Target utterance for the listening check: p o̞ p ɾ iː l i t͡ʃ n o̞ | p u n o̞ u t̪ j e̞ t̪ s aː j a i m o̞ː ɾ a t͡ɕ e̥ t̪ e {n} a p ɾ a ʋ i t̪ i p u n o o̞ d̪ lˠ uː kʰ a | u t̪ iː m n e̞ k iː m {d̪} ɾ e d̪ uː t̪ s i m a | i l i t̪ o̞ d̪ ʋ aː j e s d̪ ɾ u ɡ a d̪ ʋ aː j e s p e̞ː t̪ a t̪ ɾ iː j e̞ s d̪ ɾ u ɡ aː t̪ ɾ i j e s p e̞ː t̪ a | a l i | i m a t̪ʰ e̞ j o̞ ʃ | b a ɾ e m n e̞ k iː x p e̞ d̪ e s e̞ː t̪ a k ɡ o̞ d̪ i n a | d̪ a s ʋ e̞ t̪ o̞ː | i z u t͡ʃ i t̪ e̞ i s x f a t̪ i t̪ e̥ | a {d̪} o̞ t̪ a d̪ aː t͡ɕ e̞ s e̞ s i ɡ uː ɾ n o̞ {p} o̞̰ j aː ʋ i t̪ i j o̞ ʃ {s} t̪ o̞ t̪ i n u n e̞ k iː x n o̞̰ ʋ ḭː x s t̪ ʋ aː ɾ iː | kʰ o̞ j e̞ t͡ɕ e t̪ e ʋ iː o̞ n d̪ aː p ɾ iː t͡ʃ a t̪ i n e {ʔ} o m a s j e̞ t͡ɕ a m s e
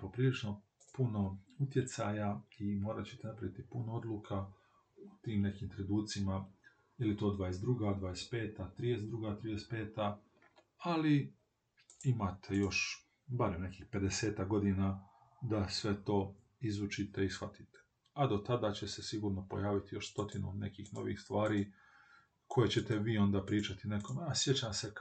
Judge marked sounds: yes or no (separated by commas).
yes, no, yes, yes, yes, no